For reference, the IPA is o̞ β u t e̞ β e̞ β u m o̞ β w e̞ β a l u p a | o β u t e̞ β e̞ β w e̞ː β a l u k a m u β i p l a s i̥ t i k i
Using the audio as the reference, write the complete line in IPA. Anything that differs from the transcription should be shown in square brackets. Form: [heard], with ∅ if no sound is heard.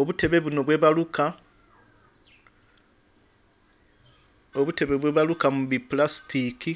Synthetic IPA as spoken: o̞ β u t e̞ β e̞ β u [n] o̞ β w e̞ β a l u [k] a | o β u t e̞ β e̞ β w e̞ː β a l u k a m u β i p l a s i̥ t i k i